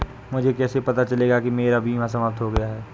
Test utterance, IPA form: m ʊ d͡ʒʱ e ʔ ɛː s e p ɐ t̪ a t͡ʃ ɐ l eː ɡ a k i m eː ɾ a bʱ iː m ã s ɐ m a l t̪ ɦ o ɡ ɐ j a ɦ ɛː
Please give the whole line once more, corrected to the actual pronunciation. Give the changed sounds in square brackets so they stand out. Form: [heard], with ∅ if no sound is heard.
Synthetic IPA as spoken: m ʊ d͡ʒʱ e [k] ɛː s e p ɐ t̪ a t͡ʃ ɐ l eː ɡ a k i m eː ɾ a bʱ iː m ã s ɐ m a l t̪ ɦ o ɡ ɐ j a ɦ ɛː